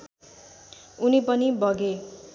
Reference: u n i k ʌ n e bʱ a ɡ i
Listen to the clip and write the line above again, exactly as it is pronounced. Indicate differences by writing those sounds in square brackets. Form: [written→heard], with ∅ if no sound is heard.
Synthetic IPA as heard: u n i [k→p] ʌ n [e→i] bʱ [a→ʌ] ɡ [i→e]